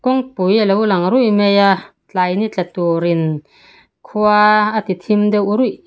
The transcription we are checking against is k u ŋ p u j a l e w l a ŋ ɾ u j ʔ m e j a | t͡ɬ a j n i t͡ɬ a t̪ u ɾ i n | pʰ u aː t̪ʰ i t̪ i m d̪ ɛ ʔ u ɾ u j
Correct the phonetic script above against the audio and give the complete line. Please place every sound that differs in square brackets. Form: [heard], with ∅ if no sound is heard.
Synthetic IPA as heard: k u ŋ p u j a l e w l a ŋ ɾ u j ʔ m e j a | t͡ɬ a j n i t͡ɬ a t̪ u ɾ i n | [kʰ] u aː [t̪] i [t̪ʰ] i m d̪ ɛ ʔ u ɾ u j